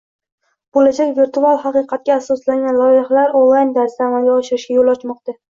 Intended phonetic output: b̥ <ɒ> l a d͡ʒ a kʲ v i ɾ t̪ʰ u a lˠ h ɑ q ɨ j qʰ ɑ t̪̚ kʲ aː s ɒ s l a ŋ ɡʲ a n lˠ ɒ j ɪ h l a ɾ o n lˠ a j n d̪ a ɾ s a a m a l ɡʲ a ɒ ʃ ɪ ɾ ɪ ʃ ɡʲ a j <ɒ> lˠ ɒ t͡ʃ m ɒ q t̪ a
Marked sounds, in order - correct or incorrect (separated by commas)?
incorrect, incorrect